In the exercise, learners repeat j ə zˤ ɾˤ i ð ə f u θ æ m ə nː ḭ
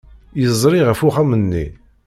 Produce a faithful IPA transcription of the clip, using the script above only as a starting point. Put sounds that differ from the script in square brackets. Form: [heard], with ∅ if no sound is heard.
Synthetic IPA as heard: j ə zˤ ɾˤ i [ʁ] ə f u [χ] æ m ə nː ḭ